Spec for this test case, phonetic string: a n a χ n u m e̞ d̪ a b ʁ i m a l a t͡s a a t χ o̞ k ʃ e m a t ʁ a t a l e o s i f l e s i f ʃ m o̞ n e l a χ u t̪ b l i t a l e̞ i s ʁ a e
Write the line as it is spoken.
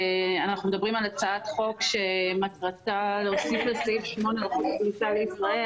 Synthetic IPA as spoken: a n a χ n u m e̞ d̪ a b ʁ i m a l a t͡s a a t χ o̞ k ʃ e m a t ʁ a t a l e o s i f l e s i f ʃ m o̞ n e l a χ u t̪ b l i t a l e̞ i s ʁ a e